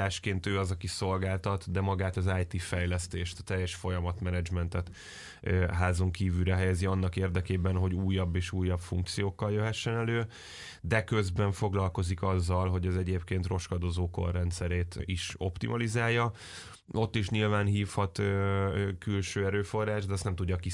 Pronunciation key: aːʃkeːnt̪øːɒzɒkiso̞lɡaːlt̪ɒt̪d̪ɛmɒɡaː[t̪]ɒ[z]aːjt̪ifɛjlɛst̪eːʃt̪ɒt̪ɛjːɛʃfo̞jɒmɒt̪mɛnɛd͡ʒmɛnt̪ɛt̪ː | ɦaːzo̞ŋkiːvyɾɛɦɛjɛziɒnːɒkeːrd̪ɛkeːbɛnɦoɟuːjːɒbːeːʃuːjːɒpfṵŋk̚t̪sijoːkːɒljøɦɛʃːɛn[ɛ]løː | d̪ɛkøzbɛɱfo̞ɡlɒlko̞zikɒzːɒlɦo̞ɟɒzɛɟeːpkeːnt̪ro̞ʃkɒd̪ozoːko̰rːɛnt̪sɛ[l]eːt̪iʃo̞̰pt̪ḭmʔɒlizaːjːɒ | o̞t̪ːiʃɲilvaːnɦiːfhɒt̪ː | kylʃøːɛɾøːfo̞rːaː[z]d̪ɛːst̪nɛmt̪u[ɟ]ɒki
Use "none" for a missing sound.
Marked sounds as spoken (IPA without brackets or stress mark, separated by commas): t̪, z, ɛ, ɾ, ʒ, ɟː